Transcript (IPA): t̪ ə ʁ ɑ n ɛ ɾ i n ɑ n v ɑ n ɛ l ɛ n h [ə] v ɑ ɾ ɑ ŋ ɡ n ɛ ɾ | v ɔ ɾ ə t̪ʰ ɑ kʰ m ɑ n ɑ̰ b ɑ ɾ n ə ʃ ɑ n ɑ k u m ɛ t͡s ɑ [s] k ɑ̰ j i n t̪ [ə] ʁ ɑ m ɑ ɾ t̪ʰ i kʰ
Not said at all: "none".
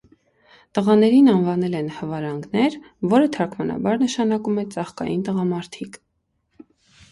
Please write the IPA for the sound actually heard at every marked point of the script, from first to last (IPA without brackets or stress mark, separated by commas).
ə, χ, ə